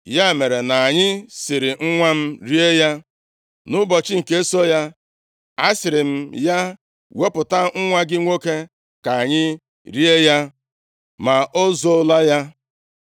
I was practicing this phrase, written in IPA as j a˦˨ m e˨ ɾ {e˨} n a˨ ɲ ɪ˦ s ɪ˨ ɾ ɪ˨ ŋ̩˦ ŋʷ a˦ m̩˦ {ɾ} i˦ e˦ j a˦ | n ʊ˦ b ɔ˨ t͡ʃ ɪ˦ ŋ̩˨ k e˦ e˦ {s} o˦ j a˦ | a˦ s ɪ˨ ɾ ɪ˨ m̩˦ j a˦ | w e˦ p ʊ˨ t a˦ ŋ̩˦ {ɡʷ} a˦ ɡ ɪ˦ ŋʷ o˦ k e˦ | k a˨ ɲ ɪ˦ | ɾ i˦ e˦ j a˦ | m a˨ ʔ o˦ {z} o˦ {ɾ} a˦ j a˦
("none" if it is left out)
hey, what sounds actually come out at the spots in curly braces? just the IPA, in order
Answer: e˨, ɾ, s, ŋʷ, z, l

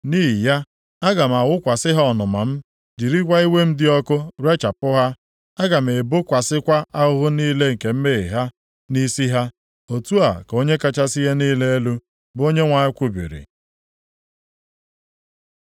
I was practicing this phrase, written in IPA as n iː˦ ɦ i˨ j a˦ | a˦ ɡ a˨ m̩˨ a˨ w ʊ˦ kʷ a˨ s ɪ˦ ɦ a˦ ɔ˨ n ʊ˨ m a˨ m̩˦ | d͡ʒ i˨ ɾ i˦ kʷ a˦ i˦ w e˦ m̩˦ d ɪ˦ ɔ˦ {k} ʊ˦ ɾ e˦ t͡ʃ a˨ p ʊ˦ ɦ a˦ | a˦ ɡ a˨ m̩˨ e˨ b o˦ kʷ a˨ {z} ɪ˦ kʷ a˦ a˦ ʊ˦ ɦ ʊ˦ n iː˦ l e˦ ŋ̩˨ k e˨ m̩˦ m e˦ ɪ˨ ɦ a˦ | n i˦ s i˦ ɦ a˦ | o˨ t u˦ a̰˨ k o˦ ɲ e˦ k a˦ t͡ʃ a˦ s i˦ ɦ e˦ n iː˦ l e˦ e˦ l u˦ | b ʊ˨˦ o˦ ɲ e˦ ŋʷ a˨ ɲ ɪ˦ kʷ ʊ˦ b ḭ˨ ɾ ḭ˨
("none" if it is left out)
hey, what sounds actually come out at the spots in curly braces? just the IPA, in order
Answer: k, s

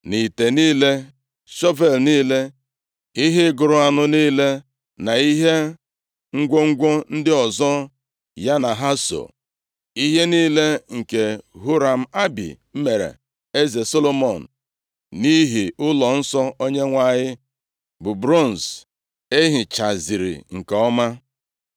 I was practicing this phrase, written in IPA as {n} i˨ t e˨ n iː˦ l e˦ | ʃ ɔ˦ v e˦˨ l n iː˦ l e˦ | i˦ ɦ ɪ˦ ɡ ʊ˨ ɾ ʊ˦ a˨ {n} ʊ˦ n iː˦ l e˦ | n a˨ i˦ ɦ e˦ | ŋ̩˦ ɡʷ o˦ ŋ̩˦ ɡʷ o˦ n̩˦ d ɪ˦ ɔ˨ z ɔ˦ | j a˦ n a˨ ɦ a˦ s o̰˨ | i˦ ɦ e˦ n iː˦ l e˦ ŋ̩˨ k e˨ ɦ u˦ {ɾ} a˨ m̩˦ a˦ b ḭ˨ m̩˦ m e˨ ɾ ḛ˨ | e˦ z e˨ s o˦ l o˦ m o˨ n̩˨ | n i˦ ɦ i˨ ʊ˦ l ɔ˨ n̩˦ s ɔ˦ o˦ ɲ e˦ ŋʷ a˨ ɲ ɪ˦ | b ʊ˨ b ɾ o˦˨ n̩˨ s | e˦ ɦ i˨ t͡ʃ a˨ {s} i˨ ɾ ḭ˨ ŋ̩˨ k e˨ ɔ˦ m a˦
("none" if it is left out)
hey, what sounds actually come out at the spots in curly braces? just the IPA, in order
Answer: n, n, ɾ, z

